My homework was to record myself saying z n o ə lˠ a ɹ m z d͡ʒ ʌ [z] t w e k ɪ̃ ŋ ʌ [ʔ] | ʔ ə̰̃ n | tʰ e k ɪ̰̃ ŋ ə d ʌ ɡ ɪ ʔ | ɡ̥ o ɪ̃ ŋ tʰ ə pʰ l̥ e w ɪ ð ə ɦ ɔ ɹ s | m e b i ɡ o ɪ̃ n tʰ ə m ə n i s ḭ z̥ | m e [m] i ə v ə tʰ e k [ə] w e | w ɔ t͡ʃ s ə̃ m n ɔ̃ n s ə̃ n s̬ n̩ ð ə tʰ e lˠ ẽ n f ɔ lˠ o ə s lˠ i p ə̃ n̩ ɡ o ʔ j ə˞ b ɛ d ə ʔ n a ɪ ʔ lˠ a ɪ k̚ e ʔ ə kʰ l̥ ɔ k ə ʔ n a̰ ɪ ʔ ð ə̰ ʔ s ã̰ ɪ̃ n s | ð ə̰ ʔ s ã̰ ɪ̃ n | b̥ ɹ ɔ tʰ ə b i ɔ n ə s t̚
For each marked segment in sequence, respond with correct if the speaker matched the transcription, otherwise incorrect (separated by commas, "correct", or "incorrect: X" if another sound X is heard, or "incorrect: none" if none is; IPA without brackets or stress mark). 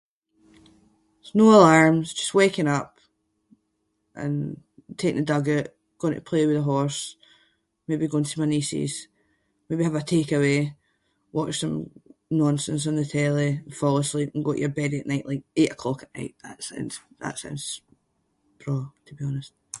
incorrect: s, incorrect: p, incorrect: b, correct